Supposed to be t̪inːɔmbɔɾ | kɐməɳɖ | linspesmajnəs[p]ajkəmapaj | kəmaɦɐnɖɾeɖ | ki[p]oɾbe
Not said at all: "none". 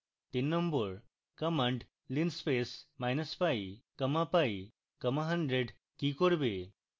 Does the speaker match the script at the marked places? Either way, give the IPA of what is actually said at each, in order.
p, k

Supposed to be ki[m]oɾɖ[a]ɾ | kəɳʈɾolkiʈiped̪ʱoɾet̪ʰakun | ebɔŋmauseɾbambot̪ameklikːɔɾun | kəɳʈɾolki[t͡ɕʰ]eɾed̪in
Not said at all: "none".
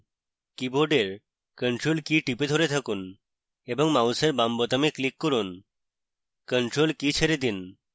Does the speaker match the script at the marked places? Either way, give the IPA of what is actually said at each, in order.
b, e, t͡ɕʰ

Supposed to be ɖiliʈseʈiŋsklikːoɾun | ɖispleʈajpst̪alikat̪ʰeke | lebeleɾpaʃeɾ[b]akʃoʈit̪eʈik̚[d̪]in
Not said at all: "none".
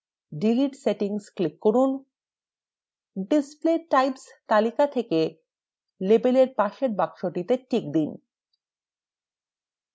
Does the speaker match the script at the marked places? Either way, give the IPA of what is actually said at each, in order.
b, d̪

